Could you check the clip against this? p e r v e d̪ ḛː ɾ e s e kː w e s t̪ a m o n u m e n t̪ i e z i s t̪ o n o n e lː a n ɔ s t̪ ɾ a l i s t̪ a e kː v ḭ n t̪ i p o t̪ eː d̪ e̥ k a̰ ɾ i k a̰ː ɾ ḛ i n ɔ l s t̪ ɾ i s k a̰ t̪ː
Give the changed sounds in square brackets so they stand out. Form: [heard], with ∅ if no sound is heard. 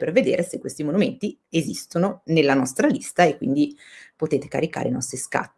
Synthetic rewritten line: p e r v e d̪ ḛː ɾ e s e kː w e s t̪ [i] m o n u m e n t̪ i e z i s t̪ o n o n e lː a n ɔ s t̪ ɾ a l i s t̪ a e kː [w] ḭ n [d̪] i p o t̪ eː [t̪] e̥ k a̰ ɾ i k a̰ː ɾ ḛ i n ɔ [∅] s t̪ ɾ i s k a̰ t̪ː

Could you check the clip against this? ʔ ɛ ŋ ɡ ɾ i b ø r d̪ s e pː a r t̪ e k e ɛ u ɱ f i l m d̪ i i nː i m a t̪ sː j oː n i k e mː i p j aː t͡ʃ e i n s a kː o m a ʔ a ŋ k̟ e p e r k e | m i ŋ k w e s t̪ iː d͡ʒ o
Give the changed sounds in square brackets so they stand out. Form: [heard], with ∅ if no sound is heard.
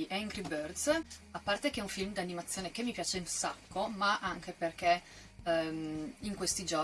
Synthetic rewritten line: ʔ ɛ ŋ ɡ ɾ i b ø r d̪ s [a] pː a r t̪ e k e ɛ u ɱ f i l m d̪ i [a] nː i m a t̪ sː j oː n [e] k e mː i p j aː t͡ʃ e i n s a kː o m a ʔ a ŋ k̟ e p e r k e | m i ŋ k w e s t̪ [i] d͡ʒ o

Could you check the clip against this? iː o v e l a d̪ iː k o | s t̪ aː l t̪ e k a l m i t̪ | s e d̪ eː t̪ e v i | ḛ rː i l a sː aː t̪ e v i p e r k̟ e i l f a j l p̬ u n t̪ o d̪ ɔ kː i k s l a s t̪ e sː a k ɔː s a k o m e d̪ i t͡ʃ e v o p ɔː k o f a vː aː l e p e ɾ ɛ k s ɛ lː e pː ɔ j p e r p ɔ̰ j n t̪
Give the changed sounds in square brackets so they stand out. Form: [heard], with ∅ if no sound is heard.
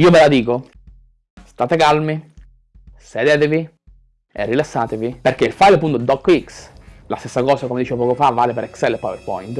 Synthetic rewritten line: iː o v e l a d̪ iː k o | s t̪ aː [∅] t̪ e k a l m i [∅] | s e d̪ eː t̪ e v i | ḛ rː i l a sː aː t̪ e v i p e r k̟ e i l f a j l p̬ u n t̪ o d̪ ɔ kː i k s l a s t̪ e sː a k ɔː s a k o m e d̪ i t͡ʃ e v o p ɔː k o f a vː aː l e p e ɾ ɛ k s ɛ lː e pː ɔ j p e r p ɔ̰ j n t̪

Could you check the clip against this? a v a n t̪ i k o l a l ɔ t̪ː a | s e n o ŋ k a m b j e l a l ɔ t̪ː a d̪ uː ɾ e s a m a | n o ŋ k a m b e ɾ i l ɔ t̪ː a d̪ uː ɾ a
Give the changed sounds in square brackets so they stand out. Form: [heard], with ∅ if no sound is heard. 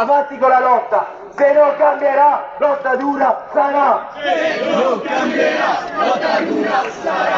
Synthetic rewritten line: a v a n t̪ i k o l a l ɔ t̪ː a | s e n o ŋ k a m b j e [ɾ] a l ɔ t̪ː a d̪ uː ɾ [a] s a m a | n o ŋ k a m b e ɾ [a] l ɔ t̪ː a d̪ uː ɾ a

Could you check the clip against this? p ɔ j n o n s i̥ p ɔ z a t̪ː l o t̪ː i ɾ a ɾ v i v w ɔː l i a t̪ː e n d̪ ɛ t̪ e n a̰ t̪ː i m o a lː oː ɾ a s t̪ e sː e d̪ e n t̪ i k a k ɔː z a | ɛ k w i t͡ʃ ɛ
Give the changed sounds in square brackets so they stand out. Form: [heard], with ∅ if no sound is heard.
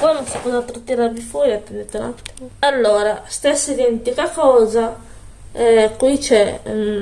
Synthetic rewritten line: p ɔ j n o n s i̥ p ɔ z a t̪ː [ɾ] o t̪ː i ɾ a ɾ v i [f] w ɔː [ɾ] i a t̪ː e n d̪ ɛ t̪ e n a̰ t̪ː i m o a lː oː ɾ a s t̪ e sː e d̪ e n t̪ i k a k ɔː z a | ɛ k w i t͡ʃ ɛ

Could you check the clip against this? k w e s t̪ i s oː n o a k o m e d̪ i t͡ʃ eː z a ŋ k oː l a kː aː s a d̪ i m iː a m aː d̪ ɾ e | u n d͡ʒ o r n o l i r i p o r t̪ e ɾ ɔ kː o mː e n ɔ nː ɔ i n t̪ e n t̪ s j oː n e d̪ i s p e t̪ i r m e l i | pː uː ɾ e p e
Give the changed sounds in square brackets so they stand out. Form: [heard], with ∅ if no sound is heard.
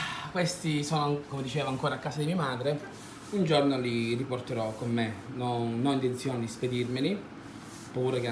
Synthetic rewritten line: k w e s t̪ i s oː n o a k o m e d̪ i t͡ʃ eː [v] a ŋ k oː [ɾ] a kː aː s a d̪ i m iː a m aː d̪ ɾ e | u n d͡ʒ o r n o l i r i p o r t̪ e ɾ ɔ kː o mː e n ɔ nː ɔ i n t̪ e n t̪ s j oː n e d̪ i s p e [d̪] i r m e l i | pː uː ɾ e [k] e

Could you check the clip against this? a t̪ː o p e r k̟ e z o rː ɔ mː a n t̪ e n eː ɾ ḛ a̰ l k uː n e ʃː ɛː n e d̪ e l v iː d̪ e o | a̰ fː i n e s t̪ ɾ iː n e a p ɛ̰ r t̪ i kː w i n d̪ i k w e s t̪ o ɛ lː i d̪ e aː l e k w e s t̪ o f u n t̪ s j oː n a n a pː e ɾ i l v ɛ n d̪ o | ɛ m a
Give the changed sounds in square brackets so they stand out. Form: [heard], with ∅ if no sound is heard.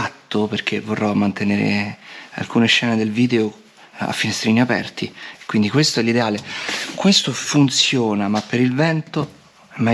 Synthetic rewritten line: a t̪ː o p e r k̟ e [v] o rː ɔ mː a n t̪ e n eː ɾ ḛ a̰ l k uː n e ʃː ɛː n e d̪ e l v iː d̪ e o | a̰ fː i n e s t̪ ɾ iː n [i] a p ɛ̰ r t̪ i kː w i n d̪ i k w e s t̪ o ɛ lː i d̪ e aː l e k w e s t̪ o f u n t̪ s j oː n a [m] a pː e ɾ i l v ɛ n [t̪] o | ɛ m a

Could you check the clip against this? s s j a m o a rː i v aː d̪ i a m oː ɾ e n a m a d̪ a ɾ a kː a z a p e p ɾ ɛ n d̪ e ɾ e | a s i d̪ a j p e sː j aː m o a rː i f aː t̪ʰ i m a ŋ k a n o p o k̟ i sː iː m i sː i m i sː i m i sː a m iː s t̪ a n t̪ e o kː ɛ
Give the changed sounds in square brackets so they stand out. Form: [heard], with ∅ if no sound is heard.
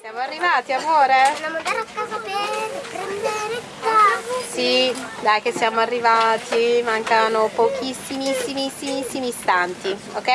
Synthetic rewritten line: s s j a m o a rː i v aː [t̪] i a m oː ɾ e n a m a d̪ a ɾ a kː a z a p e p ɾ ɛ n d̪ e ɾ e | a s i d̪ a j [k] e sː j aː m o a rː i [v] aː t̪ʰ i m a ŋ k a n o p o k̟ i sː [i] m i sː i m i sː i m i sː [i] m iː s t̪ a n t̪ [i] o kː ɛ

